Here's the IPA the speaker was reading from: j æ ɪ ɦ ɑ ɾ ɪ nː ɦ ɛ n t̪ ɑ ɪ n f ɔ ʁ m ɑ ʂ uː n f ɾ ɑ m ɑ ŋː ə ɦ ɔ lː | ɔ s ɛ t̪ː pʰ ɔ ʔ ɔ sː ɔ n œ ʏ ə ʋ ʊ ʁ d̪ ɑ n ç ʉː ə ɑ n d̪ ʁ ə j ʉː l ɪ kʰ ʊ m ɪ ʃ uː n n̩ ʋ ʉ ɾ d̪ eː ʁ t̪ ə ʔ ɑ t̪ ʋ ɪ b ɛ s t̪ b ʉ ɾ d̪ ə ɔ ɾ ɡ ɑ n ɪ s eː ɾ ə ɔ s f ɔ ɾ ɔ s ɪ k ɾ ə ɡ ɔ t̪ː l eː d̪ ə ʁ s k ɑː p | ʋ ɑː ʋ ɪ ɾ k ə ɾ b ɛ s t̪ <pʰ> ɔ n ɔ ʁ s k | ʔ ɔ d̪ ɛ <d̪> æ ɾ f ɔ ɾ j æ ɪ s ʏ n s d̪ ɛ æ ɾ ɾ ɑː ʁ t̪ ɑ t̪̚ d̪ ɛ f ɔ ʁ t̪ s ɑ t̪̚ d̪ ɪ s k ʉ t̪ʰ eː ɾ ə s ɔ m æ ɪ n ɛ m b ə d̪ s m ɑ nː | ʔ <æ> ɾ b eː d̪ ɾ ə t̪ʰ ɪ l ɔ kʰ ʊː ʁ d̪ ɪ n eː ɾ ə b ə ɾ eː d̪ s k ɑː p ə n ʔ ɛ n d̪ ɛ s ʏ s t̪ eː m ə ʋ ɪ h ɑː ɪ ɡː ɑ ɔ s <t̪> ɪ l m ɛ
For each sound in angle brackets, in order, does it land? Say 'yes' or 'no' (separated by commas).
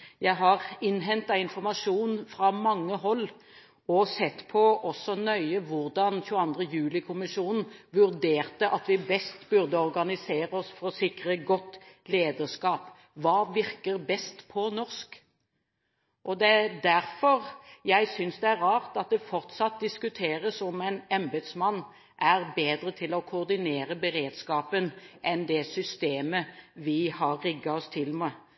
yes, yes, yes, no